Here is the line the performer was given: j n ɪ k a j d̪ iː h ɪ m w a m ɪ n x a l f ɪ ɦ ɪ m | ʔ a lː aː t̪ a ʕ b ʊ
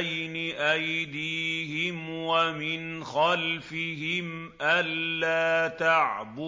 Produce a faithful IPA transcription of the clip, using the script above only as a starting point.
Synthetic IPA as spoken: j n ɪ ʔ a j d̪ iː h ɪ m w a m ɪ n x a l f ɪ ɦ ɪ m | ʔ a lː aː t̪ a ʕ b ʊ